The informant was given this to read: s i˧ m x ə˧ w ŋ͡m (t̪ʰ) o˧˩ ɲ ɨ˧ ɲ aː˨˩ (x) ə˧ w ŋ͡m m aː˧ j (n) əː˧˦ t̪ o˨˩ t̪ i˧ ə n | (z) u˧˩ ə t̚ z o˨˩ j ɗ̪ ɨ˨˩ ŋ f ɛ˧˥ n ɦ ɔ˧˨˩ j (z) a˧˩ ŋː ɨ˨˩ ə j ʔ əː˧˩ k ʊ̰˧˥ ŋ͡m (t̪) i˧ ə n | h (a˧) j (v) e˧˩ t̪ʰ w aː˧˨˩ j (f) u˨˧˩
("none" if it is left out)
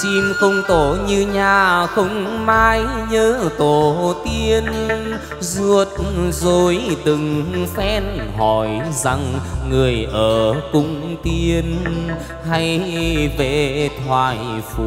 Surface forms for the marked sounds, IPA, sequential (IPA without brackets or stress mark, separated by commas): t̪, x, ɲ, z, z, t̪, a˧, v, f